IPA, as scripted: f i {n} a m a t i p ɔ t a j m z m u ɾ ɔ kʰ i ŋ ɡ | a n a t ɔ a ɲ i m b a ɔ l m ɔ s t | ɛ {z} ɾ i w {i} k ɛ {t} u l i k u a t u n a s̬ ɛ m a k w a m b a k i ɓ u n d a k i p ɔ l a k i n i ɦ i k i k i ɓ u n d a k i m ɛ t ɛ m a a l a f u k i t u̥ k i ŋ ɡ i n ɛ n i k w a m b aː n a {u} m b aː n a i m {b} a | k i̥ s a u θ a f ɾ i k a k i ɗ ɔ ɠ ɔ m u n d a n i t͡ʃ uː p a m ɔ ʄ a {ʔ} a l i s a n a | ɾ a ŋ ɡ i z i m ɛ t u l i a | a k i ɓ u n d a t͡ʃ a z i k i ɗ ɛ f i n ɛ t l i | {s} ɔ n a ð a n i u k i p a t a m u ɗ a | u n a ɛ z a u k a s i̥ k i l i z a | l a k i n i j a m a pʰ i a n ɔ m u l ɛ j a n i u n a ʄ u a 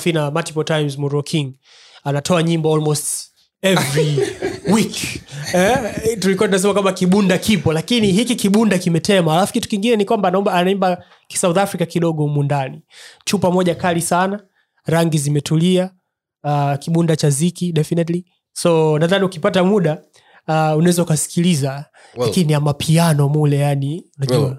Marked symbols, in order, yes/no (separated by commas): yes, no, yes, yes, no, yes, no, yes